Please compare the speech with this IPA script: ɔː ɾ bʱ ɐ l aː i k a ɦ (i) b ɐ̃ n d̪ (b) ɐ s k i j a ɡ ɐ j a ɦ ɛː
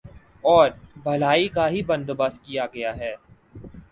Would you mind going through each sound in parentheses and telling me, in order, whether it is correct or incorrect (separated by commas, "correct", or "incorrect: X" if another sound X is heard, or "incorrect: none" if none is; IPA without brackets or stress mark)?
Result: correct, correct